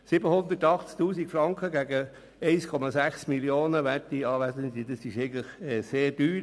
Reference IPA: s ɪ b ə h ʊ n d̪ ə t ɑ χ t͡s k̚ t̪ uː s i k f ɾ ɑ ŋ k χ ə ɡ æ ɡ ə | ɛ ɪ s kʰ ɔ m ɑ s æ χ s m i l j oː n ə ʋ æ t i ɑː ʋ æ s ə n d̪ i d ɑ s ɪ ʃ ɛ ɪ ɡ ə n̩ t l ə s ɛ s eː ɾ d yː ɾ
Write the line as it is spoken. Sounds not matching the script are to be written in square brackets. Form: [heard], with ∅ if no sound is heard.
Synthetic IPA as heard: s ɪ b ə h ʊ n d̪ ə t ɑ χ t͡s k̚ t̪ uː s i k f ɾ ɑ ŋ k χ ə ɡ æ ɡ ə | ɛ ɪ s kʰ ɔ m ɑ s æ χ s m i l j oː n ə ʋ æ t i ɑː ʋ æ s ə n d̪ i d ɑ s ɪ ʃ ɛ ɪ ɡ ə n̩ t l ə [χ] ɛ s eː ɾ d yː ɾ